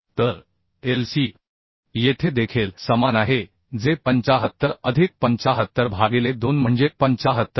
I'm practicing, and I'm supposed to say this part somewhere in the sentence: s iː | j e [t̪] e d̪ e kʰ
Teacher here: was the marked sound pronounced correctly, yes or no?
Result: no